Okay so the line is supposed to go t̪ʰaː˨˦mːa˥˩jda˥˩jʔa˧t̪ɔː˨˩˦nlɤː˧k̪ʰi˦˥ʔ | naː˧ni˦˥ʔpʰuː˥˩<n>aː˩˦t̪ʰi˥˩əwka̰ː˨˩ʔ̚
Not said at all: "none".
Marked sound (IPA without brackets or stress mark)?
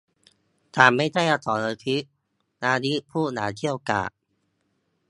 n